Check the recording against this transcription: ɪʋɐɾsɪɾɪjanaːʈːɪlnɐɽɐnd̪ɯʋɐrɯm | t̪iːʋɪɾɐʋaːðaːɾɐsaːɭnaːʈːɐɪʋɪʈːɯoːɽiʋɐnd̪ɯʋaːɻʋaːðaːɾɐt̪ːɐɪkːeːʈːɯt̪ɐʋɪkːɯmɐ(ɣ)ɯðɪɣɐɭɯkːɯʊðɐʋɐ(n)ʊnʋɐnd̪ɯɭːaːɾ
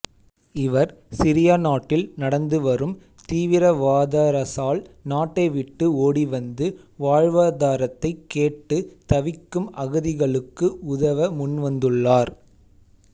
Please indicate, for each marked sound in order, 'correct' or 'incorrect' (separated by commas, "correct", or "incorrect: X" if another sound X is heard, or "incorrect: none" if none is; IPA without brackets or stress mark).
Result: correct, incorrect: m